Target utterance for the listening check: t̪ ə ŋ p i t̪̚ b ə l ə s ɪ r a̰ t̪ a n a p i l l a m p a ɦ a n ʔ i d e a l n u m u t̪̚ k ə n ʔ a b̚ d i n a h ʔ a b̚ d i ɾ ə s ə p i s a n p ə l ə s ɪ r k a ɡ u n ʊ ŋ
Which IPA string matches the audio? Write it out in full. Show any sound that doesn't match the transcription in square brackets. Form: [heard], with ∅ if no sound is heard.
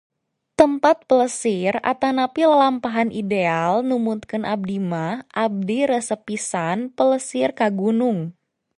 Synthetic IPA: t̪ ə [m] p [a] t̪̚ [p] ə l ə s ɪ r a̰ t̪ a n a p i l l a m p a ɦ a n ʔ i d e a l n u m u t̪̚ k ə n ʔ a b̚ d i [m] a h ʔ a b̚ d i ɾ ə s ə p i s a n p ə l ə s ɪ r k a ɡ u n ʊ ŋ